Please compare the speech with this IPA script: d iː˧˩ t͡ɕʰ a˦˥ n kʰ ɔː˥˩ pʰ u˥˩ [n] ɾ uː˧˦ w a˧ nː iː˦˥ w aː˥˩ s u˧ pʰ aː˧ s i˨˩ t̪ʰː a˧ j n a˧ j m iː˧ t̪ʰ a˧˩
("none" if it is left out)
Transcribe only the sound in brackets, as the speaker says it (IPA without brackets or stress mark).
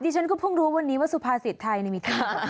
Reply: ŋ